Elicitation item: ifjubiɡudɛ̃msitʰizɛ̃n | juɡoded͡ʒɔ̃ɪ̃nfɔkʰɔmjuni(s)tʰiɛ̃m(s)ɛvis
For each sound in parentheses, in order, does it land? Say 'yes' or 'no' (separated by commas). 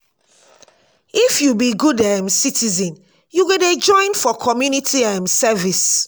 no, yes